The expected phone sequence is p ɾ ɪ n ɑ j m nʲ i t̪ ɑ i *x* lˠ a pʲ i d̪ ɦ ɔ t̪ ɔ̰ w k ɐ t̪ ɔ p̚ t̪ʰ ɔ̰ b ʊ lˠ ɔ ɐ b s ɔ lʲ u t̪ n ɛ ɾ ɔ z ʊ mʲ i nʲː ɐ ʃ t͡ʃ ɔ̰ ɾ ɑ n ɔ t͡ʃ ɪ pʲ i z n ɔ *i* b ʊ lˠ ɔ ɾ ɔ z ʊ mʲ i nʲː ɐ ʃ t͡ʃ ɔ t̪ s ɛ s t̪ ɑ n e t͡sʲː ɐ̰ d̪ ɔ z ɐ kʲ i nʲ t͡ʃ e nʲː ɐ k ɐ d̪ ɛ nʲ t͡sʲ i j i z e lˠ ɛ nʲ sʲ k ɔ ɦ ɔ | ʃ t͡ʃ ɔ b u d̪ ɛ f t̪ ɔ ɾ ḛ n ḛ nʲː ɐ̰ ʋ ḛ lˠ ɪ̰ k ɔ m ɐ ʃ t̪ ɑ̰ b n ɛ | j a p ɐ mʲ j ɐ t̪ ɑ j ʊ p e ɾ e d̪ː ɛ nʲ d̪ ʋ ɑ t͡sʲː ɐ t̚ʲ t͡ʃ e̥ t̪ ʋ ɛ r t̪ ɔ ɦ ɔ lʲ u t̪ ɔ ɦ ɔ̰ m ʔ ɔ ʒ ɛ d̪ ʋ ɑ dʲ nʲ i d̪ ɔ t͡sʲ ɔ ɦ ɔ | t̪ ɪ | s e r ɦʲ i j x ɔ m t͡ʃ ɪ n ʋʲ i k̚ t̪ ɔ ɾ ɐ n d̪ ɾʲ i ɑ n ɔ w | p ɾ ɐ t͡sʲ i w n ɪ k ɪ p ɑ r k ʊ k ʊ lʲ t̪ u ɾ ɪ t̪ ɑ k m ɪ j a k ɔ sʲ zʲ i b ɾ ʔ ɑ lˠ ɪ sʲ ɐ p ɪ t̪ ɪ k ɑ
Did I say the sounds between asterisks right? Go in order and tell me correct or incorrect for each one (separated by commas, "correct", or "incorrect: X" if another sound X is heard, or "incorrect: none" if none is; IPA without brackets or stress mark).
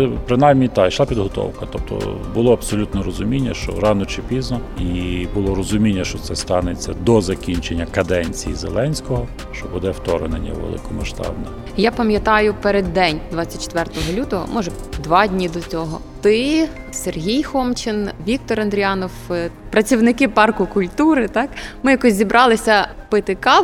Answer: incorrect: ʃ, correct